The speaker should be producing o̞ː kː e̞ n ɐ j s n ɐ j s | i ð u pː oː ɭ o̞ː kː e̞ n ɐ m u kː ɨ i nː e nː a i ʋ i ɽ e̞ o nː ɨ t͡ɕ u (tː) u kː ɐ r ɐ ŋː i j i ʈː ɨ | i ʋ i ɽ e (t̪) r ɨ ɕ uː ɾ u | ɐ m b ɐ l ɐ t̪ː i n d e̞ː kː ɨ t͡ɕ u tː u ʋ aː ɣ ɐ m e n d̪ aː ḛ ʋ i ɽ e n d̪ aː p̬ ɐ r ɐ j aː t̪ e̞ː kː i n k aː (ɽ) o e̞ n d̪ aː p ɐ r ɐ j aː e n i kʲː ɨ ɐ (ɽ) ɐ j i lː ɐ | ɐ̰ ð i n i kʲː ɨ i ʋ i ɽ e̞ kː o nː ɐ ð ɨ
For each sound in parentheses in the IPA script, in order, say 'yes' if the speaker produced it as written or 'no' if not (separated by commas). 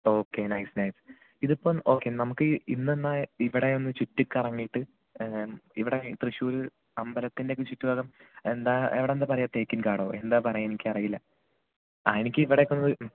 yes, yes, yes, no